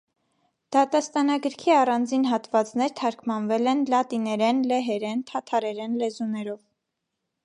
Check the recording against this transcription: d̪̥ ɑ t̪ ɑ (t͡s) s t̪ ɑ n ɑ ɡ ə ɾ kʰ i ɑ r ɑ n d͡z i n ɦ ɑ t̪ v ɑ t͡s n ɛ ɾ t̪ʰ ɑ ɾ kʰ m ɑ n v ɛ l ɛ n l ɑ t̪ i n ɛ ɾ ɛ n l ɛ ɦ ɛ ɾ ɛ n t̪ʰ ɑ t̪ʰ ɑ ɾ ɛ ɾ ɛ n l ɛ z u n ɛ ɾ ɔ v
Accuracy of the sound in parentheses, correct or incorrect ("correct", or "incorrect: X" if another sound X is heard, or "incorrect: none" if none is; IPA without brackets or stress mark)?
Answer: incorrect: none